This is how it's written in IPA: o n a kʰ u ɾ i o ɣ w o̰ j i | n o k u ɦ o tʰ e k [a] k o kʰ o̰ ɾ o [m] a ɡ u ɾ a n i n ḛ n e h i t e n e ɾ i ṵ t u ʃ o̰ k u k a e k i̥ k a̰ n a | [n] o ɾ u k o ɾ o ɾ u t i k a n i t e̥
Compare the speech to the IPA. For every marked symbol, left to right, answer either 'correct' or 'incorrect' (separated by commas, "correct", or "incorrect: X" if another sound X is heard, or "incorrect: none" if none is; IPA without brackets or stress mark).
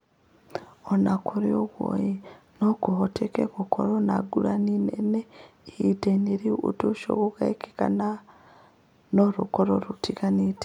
incorrect: e, incorrect: n, correct